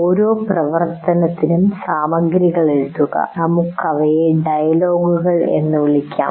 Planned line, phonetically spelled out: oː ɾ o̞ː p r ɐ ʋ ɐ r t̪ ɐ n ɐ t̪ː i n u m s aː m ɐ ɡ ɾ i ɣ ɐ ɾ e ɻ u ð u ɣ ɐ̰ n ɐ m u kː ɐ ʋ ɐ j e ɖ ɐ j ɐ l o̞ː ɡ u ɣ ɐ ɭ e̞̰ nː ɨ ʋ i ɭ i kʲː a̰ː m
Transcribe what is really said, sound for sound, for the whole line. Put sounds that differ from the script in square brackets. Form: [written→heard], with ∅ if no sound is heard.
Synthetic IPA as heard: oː ɾ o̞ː p r ɐ ʋ ɐ r t̪ ɐ n ɐ t̪ː i n u m s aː m ɐ ɡ ɾ i ɣ ɐ [ɾ→ɭ] e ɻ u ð u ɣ ɐ̰ n ɐ m u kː ɐ ʋ ɐ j e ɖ ɐ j ɐ l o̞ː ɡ u ɣ ɐ ɭ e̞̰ nː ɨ ʋ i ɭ i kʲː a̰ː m